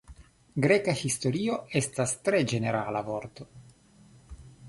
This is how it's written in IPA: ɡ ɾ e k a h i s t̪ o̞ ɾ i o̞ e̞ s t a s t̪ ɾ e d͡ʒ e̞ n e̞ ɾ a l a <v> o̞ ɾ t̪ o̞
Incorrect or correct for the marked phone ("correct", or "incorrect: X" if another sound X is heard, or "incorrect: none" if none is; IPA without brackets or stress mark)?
correct